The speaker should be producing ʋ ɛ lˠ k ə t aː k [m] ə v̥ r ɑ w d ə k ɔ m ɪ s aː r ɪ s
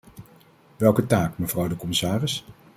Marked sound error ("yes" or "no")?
no